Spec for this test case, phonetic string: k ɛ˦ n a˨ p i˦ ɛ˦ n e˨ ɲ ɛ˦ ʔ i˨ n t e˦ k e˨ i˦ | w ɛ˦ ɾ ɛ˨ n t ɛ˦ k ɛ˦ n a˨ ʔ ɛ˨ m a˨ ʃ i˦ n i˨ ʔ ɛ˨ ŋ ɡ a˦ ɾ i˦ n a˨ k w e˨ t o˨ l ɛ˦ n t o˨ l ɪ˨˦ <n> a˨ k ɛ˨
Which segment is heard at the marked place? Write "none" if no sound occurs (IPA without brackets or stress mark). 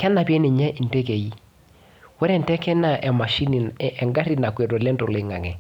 ŋ